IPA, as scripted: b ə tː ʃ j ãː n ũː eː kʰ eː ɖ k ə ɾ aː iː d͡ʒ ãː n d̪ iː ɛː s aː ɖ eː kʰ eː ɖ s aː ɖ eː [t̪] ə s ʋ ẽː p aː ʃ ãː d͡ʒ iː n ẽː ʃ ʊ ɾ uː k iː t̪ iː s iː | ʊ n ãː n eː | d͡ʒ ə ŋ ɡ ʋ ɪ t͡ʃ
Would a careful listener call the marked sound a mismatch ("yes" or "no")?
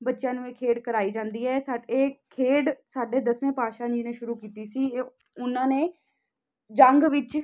yes